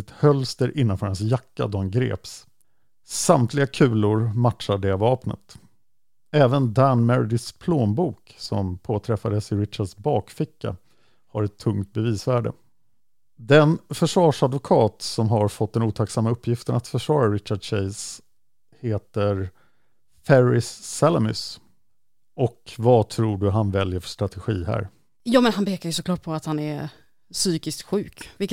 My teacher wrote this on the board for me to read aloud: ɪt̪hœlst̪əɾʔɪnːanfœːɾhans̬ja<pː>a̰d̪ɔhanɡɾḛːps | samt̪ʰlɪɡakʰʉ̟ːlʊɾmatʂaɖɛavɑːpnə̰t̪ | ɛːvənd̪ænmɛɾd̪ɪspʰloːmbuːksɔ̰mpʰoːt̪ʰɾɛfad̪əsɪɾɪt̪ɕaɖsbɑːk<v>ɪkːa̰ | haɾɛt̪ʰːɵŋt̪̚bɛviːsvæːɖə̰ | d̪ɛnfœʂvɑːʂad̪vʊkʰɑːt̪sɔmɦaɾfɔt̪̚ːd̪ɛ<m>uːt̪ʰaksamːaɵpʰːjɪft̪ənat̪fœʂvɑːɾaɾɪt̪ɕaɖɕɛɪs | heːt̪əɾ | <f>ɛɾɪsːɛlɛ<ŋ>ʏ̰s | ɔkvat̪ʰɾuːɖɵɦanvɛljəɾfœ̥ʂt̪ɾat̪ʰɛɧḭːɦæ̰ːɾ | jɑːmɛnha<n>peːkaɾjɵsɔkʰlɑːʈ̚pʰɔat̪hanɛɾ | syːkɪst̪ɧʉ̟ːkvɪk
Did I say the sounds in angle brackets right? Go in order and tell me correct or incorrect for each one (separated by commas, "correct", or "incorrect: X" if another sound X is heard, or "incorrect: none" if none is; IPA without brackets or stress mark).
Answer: incorrect: kː, incorrect: f, incorrect: n, correct, incorrect: m, correct